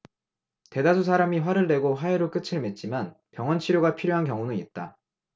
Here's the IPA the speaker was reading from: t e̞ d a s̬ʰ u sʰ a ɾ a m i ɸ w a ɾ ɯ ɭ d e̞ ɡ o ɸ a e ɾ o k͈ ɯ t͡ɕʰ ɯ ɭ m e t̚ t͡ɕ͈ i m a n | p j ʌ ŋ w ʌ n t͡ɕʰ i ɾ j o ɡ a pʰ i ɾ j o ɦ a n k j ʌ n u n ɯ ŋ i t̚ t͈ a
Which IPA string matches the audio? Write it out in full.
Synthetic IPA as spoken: t e̞ d a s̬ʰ u sʰ a ɾ a m i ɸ w a ɾ ɯ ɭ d e̞ ɡ o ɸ a e ɾ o k͈ ɯ t͡ɕʰ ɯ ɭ m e t̚ t͡ɕ͈ i m a n | p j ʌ ŋ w ʌ n t͡ɕʰ i ɾ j o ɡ a pʰ i ɾ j o ɦ a n k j ʌ ŋ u n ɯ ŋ i t̚ t͈ a